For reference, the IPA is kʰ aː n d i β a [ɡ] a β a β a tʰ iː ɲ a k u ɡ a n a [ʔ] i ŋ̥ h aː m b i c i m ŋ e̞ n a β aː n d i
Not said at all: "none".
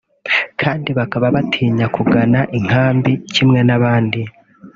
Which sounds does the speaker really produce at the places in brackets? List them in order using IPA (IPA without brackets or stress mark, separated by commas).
k, ʔ